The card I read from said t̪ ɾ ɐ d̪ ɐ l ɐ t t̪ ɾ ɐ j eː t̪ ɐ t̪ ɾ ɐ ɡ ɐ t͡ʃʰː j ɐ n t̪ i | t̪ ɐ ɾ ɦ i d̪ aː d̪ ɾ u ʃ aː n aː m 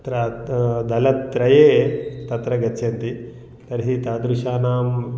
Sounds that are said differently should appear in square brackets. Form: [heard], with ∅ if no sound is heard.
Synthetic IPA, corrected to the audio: t̪ ɾ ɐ d̪ ɐ l ɐ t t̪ ɾ ɐ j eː t̪ ɐ t̪ ɾ ɐ ɡ ɐ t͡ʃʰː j ɐ n t̪ i | t̪ ɐ ɾ ɦ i [t̪] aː d̪ ɾ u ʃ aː n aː m